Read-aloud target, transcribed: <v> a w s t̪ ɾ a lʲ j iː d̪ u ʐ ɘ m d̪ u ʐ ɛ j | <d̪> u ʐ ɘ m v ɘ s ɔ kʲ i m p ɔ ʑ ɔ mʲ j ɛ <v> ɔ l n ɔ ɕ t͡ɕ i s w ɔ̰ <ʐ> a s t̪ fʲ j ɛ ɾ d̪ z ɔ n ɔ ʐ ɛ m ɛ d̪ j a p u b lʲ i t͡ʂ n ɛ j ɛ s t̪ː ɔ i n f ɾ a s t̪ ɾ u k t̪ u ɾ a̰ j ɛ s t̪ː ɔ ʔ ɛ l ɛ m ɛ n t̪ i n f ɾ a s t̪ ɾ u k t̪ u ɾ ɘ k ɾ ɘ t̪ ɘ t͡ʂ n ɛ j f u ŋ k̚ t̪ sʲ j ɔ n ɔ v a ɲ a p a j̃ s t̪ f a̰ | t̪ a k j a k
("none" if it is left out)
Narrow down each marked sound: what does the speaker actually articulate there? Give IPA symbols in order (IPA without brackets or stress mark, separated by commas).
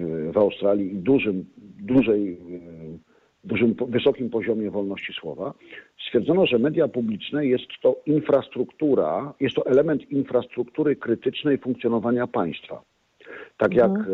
v, d̪, v, v